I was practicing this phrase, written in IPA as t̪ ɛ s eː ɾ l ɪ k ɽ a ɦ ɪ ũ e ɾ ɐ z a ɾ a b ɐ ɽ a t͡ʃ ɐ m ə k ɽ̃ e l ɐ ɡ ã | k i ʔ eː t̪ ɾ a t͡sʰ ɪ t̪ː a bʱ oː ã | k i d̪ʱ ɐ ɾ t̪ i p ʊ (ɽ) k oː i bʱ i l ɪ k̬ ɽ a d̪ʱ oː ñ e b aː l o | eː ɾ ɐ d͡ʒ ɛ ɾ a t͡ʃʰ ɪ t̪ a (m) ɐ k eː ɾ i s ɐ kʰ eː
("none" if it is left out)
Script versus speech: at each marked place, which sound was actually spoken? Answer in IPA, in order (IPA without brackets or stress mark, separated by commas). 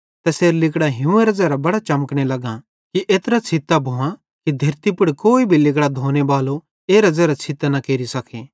ɽ, n